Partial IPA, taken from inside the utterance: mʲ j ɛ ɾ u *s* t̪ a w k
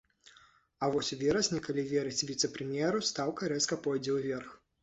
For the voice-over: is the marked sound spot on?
yes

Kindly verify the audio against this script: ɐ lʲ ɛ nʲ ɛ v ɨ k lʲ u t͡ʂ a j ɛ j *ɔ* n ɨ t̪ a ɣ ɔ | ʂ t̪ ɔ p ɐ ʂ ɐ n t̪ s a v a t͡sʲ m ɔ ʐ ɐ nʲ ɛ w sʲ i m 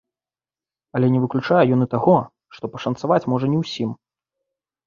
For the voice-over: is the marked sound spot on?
yes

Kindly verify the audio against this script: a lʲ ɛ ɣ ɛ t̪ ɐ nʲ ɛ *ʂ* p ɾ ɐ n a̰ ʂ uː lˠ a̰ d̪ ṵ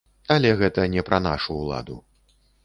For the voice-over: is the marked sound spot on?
no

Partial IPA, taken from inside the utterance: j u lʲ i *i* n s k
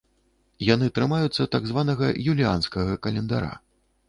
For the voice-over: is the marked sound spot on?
no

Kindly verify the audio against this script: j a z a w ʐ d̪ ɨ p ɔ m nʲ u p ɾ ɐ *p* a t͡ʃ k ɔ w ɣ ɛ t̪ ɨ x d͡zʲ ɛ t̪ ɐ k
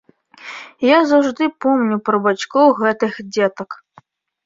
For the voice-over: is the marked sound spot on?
no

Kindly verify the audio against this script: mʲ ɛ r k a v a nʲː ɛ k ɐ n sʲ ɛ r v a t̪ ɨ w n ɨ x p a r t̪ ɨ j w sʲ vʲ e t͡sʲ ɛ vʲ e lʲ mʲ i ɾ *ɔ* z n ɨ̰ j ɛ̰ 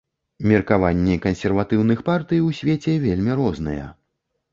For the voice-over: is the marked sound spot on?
yes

